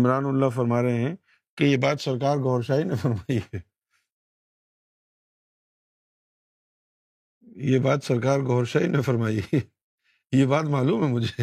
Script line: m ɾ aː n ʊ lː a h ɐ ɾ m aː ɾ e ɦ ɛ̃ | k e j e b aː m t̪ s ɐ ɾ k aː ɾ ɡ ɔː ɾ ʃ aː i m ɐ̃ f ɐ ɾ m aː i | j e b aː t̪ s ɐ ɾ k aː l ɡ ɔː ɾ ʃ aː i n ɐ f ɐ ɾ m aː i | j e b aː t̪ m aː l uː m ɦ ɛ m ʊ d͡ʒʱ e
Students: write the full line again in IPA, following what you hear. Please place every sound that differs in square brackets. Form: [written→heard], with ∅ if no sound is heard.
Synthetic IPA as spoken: m ɾ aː n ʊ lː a [h→f] ɐ ɾ m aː ɾ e ɦ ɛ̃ | k e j e b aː [m→∅] t̪ s ɐ ɾ k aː ɾ ɡ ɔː ɾ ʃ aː i [m→n] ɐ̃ f ɐ ɾ m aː i | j e b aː t̪ s ɐ ɾ k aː [l→ɾ] ɡ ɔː ɾ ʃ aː i n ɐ f ɐ ɾ m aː i | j e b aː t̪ m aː l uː m ɦ ɛ m ʊ d͡ʒʱ e